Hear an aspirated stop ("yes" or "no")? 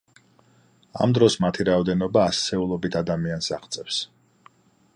yes